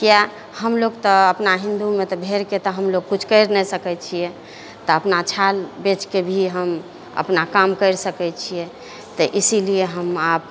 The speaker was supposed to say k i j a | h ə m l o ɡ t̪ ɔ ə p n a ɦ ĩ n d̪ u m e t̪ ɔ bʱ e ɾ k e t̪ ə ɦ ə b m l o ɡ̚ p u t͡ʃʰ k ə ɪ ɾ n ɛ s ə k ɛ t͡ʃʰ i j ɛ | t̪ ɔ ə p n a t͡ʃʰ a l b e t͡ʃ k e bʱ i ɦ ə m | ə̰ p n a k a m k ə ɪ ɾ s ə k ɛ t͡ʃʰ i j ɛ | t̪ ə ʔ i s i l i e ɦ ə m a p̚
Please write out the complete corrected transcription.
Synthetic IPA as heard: k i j a | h ə m l o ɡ t̪ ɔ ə p n a ɦ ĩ n d̪ u m e t̪ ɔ bʱ e ɾ k e t̪ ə ɦ ə m l o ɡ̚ k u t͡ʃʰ k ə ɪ ɾ n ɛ s ə k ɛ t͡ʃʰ i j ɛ | t̪ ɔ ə p n a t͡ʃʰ a l b e t͡ʃ k e bʱ i ɦ ə m | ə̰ p n a k a m k ə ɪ ɾ s ə k ɛ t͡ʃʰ i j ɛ | t̪ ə ʔ i s i l i e ɦ ə m a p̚

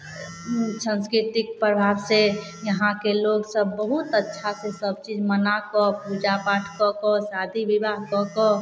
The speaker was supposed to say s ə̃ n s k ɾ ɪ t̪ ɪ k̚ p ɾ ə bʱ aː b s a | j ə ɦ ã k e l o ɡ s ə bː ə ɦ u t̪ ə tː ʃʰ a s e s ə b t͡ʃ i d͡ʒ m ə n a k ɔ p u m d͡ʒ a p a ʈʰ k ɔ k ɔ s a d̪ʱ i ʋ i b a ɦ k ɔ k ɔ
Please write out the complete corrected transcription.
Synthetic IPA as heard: s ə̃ n s k ɾ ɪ t̪ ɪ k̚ p ɾ ə bʱ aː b s e | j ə ɦ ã k e l o ɡ s ə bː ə ɦ u t̪ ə tː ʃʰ a s e s ə b t͡ʃ i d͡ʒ m ə n a k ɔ p u d͡ʒ a p a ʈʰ k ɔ k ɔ s a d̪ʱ i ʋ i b a ɦ k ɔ k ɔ

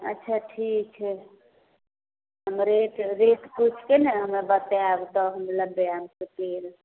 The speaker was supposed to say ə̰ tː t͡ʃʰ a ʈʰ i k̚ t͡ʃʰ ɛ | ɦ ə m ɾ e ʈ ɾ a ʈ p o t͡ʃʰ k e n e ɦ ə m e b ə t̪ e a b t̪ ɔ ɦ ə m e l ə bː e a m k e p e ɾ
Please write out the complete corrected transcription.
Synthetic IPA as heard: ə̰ tː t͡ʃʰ a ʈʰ i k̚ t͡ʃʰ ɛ | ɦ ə m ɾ e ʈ ɾ e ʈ p u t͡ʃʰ k e n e ɦ ə m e b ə t̪ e a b t̪ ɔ ɦ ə m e l ə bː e a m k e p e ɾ

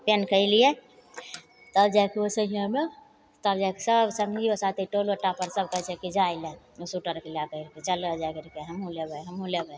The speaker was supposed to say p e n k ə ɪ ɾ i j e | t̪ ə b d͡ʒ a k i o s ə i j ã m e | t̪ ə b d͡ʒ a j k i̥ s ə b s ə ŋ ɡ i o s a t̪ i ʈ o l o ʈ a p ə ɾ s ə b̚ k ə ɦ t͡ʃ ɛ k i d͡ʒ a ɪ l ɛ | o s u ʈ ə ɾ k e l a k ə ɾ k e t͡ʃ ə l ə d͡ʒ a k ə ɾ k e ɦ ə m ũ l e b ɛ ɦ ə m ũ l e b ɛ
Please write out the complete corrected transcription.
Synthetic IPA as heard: p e n k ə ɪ l i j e | t̪ ə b d͡ʒ a k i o s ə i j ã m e | t̪ ə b d͡ʒ a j k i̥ s ə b s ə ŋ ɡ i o s a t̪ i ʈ o l o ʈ a p ə ɾ s ə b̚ k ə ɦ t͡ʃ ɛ k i d͡ʒ a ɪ l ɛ | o s u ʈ ə ɾ k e l a k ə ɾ k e t͡ʃ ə l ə d͡ʒ a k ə ɾ k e ɦ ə m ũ l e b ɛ ɦ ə m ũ l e b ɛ

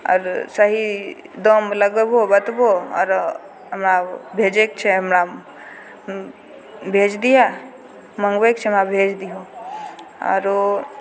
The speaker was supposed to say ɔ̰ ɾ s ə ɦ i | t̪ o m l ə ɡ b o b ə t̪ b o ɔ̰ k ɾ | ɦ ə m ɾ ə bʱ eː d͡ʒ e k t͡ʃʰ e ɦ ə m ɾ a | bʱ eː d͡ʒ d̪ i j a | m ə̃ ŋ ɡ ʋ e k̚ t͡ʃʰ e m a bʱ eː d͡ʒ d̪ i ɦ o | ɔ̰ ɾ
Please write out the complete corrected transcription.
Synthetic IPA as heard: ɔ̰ ɾ s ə ɦ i | d̪ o m l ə ɡ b o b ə t̪ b o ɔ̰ ɾ | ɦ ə m ɾ a bʱ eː d͡ʒ e k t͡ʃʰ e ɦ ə m ɾ a | bʱ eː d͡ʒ d̪ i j a | m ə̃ ŋ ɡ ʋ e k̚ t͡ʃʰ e m a bʱ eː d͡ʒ d̪ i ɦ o | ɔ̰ ɾ

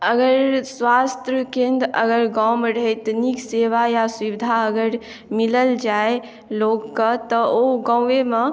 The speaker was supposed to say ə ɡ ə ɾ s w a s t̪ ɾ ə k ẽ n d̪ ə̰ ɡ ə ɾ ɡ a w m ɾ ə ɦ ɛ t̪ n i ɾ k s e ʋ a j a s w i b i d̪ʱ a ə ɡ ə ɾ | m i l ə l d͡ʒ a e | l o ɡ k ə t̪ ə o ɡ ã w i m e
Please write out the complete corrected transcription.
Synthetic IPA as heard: ə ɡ ə ɾ s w a s t̪ ɾ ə k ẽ n d̪ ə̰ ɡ ə ɾ ɡ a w m ɾ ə ɦ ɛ t̪ n i k s e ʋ a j a s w i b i d̪ʱ a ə ɡ ə ɾ | m i l ə l d͡ʒ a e | l o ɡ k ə t̪ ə o ɡ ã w e m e

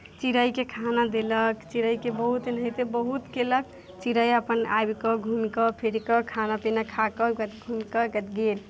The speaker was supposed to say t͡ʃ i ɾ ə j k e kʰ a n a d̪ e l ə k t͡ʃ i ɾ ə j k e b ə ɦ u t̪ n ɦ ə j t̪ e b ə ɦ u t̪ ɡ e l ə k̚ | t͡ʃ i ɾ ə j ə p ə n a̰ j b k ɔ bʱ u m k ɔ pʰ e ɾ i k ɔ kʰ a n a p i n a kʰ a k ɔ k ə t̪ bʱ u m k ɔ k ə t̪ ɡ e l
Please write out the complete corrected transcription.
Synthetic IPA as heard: t͡ʃ i ɾ ə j k e kʰ a n a d̪ e l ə k t͡ʃ i ɾ ə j k e b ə ɦ u t̪ n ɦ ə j t̪ e b ə ɦ u t̪ k e l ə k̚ | t͡ʃ i ɾ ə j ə p ə n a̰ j b k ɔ ɡʱ u m k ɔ pʰ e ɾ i k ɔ kʰ a n a p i n a kʰ a k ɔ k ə t̪ ɡʱ u m k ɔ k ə t̪ ɡ e l

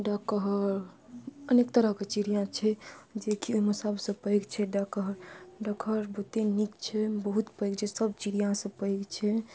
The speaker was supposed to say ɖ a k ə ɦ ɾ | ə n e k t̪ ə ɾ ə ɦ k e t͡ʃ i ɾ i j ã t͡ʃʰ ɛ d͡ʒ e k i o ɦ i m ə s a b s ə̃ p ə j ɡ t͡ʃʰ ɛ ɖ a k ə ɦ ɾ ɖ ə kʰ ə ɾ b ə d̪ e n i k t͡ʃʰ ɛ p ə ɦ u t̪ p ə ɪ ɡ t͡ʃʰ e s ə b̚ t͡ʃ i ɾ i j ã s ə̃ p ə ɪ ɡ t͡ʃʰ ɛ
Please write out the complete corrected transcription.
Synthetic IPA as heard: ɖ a k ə ɦ ɾ | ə n e k t̪ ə ɾ ə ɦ k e t͡ʃ i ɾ i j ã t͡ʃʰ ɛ d͡ʒ e k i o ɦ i m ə s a b s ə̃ p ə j ɡ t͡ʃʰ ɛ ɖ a k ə ɦ ɾ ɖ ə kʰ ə ɾ b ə t̪ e n i k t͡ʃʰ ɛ b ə ɦ u t̪ p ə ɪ ɡ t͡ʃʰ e s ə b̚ t͡ʃ i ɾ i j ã s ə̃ p ə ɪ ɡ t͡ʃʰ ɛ

